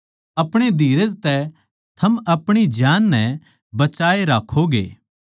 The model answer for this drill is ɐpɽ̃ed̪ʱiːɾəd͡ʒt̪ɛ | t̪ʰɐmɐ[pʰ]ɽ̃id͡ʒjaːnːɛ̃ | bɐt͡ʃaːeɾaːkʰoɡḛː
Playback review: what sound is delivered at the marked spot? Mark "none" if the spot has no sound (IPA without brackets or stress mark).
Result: p